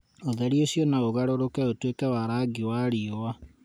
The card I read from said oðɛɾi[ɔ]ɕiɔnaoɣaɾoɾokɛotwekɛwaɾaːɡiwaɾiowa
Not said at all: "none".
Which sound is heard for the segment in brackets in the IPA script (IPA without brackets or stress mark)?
o